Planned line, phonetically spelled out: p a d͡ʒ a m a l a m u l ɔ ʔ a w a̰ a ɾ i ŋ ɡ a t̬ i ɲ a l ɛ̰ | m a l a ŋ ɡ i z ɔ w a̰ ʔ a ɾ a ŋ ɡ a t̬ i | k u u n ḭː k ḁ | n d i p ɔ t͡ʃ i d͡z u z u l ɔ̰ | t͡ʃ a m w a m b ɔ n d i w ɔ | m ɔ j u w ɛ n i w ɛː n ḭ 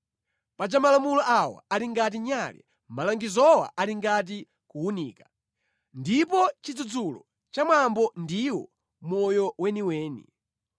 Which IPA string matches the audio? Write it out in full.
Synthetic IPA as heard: p a d͡ʒ a m a l a m u l ɔ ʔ a w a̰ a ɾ i ŋ ɡ a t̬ i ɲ a l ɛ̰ | m a l a ŋ ɡ i z ɔ w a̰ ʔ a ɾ i ŋ ɡ a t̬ i | k u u n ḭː k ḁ | n d i p ɔ t͡ʃ i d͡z u d͡z u l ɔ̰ | t͡ʃ a m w a m b ɔ n d i w ɔ | m ɔ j ɔ w ɛ n i w ɛː n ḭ